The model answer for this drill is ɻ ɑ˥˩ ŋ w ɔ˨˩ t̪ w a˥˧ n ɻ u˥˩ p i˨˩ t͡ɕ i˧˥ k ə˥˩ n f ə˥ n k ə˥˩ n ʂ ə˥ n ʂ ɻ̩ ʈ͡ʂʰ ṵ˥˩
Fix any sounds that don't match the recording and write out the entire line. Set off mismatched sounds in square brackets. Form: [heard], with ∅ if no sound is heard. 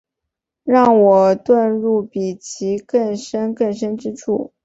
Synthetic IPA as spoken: ɻ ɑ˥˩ ŋ w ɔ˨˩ t̪ w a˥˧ n ɻ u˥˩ p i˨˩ [t͡ɕʰ] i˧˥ k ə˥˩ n [ʂ] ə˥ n k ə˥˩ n ʂ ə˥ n [ʈ͡ʂ] ɻ̩ ʈ͡ʂʰ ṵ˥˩